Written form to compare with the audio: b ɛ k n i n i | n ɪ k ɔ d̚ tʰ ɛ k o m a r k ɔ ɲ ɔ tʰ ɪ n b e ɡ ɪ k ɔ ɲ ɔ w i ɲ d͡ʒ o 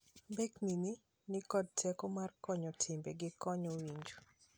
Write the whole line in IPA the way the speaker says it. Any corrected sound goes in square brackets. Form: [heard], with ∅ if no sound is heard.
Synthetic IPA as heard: b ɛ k n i n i | n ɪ k ɔ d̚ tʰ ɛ k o m a r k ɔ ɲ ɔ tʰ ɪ [m] b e ɡ ɪ k ɔ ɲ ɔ w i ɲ d͡ʒ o